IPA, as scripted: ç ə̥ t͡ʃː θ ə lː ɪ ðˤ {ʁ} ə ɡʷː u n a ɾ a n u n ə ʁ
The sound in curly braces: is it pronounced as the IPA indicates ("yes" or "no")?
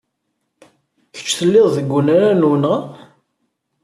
no